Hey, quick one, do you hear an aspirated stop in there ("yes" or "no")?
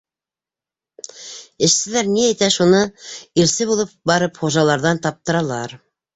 no